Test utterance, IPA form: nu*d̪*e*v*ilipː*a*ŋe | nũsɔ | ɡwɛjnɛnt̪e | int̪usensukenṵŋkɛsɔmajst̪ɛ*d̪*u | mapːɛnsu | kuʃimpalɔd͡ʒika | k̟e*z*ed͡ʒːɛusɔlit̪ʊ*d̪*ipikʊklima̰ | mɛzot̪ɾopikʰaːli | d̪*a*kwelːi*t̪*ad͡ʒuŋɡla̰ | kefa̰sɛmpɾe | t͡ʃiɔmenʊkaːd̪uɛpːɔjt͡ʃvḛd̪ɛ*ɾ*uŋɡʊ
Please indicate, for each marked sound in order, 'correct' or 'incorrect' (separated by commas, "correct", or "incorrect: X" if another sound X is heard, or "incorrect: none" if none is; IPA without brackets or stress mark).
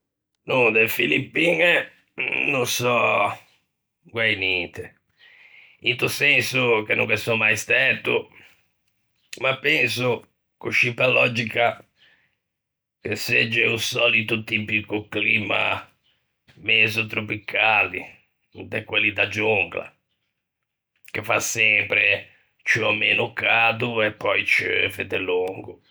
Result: correct, incorrect: f, incorrect: i, incorrect: t̪, incorrect: s, incorrect: t̪, incorrect: ɛ, incorrect: d̪, incorrect: l